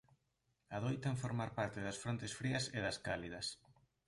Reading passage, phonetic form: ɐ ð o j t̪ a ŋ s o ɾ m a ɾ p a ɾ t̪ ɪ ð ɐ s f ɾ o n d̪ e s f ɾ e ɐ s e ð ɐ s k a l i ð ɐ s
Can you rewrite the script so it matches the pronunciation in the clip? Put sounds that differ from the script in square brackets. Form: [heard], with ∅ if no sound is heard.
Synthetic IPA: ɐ ð o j t̪ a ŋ [f] o ɾ m a ɾ p a ɾ t̪ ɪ ð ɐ s f ɾ o n [t̪] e s f ɾ [i] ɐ s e ð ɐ s k a l i ð ɐ s